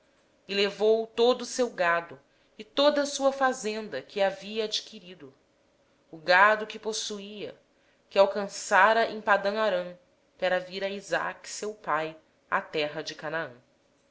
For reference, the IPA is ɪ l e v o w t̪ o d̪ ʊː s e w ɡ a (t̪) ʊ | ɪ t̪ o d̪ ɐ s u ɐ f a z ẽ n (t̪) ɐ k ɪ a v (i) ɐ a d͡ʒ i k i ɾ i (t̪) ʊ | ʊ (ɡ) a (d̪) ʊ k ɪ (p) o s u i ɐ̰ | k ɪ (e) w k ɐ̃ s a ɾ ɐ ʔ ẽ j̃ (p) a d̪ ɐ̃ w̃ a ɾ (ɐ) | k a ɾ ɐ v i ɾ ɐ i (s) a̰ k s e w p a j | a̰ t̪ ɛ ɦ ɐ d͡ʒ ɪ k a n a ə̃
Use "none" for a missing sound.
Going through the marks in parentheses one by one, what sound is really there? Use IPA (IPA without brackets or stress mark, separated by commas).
d̪, d̪, i, d̪, ɡ, d̪, p, a, p, ɐ̃, z